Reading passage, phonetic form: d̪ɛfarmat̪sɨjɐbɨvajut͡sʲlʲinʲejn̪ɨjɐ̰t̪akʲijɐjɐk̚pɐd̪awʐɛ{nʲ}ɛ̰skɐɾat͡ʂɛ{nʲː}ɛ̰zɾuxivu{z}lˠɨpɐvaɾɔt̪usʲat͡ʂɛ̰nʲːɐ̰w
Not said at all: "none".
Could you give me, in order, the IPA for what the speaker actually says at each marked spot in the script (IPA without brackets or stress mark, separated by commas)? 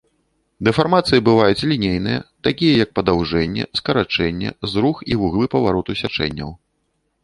nʲː, nʲː, ɣ